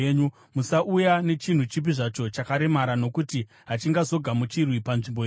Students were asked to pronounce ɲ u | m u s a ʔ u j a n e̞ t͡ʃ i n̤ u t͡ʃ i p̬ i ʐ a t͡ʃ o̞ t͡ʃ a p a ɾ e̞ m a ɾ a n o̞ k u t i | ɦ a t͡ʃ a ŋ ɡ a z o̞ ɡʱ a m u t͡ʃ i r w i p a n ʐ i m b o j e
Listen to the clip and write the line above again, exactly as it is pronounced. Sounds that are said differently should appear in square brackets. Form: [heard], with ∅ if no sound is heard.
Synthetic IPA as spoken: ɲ u | m u s a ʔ u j a n e̞ t͡ʃ i n̤ u t͡ʃ i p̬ i ʐ a t͡ʃ o̞ t͡ʃ a [k] a ɾ e̞ m a ɾ a n o̞ k u t i | ɦ a t͡ʃ [i] ŋ ɡ a z o̞ ɡʱ a m u t͡ʃ i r w i p a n ʐ i m b o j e